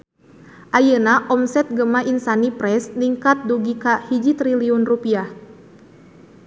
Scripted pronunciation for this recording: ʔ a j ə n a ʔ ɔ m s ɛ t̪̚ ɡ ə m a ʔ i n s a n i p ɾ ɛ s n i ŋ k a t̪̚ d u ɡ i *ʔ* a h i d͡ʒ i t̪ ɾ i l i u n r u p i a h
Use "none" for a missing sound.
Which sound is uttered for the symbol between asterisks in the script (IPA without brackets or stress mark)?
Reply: k